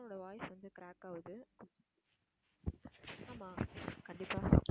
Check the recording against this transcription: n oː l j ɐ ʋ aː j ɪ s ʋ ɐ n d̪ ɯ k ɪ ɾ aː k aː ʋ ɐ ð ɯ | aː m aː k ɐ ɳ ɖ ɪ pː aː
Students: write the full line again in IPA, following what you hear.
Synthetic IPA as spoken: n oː ɽ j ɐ ʋ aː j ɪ s ʋ ɐ n d̪ ɯ k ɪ ɾ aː k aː ʋ ɐ ð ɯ | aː m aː k ɐ ɳ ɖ ɪ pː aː